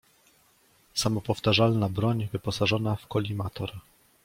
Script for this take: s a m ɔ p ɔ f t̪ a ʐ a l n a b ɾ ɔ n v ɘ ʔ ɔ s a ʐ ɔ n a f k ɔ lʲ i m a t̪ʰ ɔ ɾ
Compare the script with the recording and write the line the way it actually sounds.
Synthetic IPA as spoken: s a m ɔ p ɔ f t̪ a ʐ a l n a b ɾ ɔ ɲ v ɘ p ɔ s a ʐ ɔ n a f k ɔ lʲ i m a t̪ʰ ɔ ɾ